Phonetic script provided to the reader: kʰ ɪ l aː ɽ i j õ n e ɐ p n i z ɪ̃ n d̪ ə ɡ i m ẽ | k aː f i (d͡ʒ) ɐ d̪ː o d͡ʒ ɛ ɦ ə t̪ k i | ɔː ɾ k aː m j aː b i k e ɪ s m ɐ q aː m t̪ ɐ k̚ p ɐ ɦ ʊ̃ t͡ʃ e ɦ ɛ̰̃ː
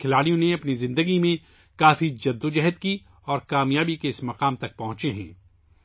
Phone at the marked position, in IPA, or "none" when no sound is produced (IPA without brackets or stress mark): d͡ʒ